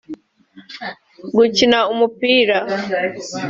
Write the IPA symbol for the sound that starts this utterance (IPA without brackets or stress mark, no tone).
ɡ